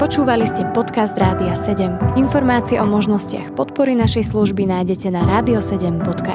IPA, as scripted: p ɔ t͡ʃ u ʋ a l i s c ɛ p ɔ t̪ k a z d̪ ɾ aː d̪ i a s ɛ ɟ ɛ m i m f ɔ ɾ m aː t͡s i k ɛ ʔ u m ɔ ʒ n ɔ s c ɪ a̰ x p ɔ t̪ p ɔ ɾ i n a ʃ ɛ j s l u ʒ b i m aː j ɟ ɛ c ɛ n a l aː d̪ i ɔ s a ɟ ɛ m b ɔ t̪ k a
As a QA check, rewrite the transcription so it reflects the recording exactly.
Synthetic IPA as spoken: p ɔ t͡ʃ uː ʋ a l i s c ɛ p ɔ t̪ k a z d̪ ɾ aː d̪ i a s ɛ ɟ ɛ m i n f ɔ ɾ m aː t͡s i ɛ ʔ ɔ m ɔ ʒ n ɔ s c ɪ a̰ x p ɔ t̪ p ɔ ɾ i n a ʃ ɛ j s l u ʒ b i n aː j ɟ ɛ c ɛ n a ɾ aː d̪ i ɔ s ɛ ɟ ɛ m b ɔ t̪ k a